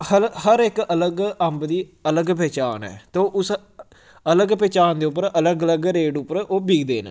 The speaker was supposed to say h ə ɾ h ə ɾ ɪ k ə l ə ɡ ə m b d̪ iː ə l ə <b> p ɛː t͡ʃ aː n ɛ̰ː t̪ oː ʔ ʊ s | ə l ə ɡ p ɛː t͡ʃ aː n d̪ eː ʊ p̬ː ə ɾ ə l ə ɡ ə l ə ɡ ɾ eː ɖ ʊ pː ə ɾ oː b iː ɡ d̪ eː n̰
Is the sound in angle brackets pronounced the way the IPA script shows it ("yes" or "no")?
no